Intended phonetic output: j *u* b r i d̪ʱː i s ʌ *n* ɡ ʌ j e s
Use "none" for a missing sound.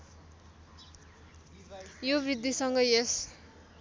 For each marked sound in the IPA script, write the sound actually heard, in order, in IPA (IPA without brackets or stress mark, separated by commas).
o, ŋ